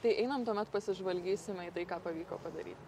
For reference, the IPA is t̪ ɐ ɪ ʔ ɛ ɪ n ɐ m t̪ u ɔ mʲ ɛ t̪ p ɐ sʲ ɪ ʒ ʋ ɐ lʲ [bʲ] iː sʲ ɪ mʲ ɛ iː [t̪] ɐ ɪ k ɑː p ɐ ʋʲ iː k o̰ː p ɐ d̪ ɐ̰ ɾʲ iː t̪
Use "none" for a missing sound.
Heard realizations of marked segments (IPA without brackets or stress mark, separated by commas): ɡʲ, t̪